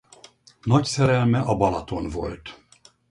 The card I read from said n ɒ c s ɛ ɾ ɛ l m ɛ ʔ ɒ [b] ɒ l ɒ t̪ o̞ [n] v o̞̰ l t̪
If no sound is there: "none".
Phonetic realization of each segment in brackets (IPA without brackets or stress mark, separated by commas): b, n